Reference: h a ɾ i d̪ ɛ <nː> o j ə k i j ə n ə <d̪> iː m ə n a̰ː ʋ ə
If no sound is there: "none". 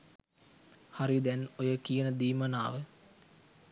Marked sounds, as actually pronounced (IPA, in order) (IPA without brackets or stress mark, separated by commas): n, d̪